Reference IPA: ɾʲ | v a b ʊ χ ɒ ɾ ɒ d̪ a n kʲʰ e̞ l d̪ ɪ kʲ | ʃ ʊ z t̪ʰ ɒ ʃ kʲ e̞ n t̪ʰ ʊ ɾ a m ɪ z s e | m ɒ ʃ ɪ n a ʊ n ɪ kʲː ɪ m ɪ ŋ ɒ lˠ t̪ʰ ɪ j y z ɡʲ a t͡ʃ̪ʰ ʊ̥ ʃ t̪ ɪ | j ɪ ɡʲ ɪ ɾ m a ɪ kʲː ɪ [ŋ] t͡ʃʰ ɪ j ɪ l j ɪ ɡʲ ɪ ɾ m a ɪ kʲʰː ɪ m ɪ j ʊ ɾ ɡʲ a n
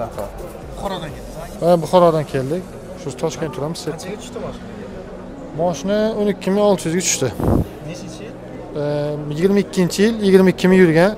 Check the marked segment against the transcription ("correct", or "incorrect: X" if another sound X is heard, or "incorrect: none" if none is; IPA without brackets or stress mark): incorrect: n